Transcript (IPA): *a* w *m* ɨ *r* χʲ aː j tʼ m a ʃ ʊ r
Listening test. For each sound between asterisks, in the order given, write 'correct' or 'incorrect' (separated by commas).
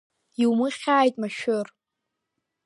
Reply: incorrect, correct, incorrect